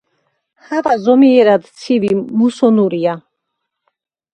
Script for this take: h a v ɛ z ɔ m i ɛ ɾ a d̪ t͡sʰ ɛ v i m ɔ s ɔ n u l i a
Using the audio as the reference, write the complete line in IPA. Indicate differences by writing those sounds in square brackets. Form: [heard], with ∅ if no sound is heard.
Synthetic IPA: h a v [a] z ɔ m i ɛ ɾ a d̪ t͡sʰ [i] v i m [u] s ɔ n u [ɾ] i a